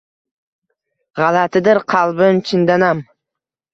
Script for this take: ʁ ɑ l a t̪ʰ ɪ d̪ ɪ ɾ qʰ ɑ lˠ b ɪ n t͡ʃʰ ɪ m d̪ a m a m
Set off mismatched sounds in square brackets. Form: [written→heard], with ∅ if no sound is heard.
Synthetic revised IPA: ʁ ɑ l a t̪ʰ ɪ d̪ ɪ ɾ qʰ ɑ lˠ b ɪ n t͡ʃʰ ɪ [m→n] d̪ a [m→n] a m